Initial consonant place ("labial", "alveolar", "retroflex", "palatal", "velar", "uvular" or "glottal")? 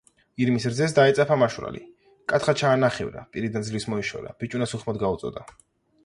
alveolar